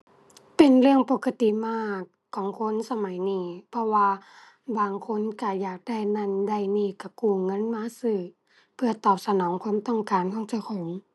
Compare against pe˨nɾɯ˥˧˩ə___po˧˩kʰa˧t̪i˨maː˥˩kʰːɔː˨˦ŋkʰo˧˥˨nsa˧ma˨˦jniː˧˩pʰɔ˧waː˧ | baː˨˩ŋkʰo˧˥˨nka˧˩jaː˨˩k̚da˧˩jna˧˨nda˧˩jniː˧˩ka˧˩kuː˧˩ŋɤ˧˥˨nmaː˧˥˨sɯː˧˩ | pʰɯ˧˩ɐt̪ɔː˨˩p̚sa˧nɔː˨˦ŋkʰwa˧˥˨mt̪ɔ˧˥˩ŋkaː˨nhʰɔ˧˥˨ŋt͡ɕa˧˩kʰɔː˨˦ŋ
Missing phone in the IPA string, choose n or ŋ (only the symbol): ŋ